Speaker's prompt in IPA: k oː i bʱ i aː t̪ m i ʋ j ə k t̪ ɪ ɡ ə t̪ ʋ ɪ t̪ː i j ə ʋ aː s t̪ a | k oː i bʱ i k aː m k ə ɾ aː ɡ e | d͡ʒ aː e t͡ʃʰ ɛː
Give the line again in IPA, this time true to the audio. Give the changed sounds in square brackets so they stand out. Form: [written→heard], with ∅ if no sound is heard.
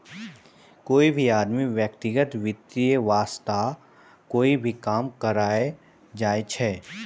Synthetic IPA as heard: k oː i bʱ i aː [t̪→d̪] m i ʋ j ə k t̪ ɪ ɡ ə t̪ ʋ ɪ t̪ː i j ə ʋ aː s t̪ a | k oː i bʱ i k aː m k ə ɾ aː [ɡ→∅] e | d͡ʒ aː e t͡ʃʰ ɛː